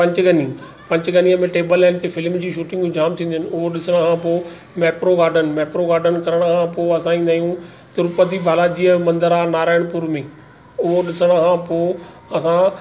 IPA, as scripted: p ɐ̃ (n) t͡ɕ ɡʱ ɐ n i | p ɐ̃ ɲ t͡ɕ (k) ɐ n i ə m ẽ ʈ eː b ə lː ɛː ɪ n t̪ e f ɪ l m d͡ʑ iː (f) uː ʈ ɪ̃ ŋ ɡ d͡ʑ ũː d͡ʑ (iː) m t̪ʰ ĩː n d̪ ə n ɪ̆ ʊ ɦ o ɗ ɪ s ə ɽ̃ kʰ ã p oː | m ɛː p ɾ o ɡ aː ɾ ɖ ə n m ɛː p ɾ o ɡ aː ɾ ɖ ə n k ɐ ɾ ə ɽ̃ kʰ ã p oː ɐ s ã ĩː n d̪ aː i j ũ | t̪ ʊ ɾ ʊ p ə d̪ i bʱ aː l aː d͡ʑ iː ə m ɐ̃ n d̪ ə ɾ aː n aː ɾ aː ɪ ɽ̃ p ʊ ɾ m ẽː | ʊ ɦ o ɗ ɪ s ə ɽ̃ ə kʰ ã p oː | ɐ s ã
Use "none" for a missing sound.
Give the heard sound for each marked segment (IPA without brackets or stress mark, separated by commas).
ɲ, ɡ, ʃ, aː